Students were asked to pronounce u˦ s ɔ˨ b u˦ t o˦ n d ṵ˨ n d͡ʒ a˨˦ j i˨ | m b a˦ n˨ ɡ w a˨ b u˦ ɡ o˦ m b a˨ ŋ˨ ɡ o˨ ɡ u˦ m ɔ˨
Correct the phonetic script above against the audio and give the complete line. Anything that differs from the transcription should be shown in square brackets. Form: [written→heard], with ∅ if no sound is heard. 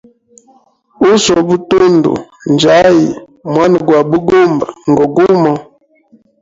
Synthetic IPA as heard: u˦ s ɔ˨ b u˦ t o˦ n d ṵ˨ n d͡ʒ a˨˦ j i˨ | m [b→w] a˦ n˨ ɡ w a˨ b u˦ ɡ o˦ m b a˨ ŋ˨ ɡ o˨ ɡ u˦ m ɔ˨